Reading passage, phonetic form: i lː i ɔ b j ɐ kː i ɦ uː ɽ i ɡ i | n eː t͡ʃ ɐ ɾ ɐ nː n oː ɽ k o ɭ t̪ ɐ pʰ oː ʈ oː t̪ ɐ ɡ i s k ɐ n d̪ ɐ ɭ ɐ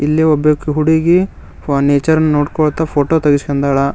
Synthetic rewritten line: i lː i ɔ b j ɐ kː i ɦ u ɽ i ɡ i | n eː t͡ʃ ɐ ɾ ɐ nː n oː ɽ k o ɭ t̪ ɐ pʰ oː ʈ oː t̪ ɐ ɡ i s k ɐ n d̪ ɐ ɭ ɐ